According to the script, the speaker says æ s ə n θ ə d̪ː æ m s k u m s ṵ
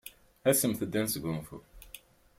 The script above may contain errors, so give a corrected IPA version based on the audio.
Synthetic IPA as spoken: æ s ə m θ ə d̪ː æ n s ɡ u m f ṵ